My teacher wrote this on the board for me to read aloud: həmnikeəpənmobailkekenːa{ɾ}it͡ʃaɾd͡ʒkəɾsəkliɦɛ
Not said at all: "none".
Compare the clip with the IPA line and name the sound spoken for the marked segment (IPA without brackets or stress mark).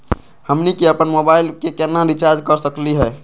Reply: ɾ